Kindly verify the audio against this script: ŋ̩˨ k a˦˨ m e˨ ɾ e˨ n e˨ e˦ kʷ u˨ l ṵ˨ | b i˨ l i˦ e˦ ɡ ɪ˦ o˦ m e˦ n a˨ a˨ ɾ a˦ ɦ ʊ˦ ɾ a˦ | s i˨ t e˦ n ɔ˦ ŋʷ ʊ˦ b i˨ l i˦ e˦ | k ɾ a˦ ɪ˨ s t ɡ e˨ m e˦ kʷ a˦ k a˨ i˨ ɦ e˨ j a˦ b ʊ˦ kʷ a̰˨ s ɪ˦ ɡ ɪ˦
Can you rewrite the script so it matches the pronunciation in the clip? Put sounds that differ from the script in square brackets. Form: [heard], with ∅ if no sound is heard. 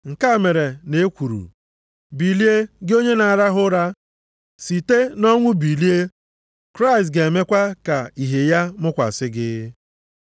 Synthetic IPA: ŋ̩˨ k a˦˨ m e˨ ɾ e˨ n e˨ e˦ kʷ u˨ [ɾ] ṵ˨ | b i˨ l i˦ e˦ ɡ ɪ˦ o˦ [ɲ] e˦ n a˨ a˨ ɾ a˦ ɦ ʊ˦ ɾ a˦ | s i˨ t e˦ n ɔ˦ ŋʷ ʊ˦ b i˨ l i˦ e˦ | k ɾ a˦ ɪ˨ s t ɡ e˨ m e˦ kʷ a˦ k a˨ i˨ ɦ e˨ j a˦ [m] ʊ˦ kʷ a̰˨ s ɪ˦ ɡ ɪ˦